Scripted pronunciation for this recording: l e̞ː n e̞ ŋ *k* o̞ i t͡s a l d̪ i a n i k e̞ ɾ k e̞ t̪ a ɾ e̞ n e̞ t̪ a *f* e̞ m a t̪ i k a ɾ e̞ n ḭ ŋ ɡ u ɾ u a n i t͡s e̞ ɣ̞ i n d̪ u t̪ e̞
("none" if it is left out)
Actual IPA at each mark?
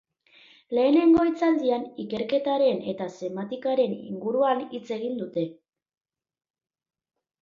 ɡ, s

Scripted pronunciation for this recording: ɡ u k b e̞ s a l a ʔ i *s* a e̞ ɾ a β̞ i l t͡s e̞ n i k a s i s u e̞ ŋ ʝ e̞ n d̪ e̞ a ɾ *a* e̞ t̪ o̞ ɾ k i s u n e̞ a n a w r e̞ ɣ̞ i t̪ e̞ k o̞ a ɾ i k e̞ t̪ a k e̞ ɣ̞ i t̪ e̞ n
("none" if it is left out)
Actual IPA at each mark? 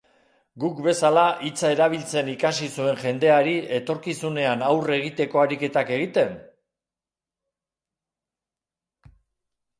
t͡s, i

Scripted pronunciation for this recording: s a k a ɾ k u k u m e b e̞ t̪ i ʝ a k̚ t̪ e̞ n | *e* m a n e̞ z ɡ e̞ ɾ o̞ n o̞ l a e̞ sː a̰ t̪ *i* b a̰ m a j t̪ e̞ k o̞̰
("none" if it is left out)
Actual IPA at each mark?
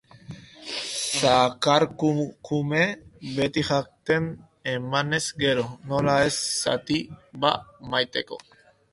e, i

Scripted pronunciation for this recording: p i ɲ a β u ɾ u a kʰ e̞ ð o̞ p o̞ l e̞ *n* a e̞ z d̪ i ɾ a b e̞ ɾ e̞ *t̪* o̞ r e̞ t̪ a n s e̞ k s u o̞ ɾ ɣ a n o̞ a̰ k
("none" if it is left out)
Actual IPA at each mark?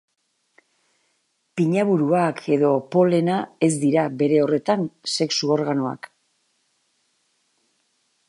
n, none

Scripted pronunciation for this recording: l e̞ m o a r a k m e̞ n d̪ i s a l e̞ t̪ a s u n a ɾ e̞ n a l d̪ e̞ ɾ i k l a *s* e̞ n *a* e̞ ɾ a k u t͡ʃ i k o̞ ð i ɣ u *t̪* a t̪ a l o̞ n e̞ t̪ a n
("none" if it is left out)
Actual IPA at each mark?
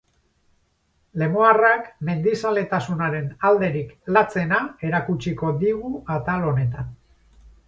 t͡s, a, none

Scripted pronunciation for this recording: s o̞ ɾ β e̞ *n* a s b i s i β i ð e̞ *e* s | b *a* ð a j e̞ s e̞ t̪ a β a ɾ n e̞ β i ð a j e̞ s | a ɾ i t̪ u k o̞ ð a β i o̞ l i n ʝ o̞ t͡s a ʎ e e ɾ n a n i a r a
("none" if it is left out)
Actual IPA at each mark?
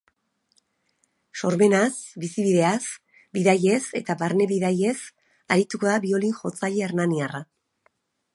n, a, i

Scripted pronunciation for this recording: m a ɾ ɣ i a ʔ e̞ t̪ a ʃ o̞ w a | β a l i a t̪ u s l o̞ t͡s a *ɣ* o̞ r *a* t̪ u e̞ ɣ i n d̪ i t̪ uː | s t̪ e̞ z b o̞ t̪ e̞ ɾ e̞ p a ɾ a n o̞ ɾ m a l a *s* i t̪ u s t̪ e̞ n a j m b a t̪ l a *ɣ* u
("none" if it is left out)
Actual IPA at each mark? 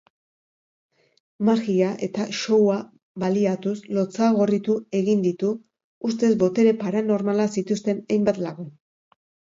ɣ, i, s, ɣ

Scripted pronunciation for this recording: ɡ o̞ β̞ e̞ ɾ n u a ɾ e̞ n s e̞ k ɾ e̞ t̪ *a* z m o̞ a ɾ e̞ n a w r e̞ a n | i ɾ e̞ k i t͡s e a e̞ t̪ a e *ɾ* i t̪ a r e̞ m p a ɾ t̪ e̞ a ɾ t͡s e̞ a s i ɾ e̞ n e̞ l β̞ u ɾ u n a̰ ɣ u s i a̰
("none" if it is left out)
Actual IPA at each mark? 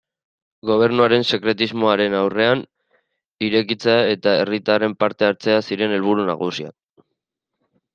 i, r

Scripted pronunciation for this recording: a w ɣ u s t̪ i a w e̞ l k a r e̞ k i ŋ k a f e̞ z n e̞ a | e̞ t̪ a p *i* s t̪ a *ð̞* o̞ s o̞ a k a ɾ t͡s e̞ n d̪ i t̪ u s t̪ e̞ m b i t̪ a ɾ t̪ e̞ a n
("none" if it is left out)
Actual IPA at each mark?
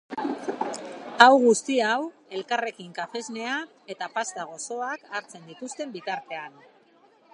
a, ɣ̞

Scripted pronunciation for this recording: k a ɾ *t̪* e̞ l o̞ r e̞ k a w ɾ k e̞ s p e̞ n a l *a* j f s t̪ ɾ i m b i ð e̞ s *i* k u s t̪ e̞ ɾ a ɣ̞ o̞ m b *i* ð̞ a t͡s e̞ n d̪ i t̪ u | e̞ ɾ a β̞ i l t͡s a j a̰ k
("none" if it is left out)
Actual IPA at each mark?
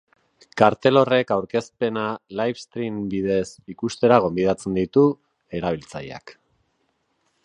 t̪, a, i, i

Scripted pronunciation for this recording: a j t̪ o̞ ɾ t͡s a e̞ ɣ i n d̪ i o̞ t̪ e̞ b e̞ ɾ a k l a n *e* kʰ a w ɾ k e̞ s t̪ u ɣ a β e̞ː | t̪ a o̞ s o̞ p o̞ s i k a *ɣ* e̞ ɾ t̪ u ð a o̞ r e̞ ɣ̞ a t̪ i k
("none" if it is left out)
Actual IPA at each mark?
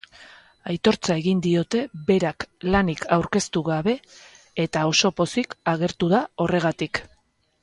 i, ɣ

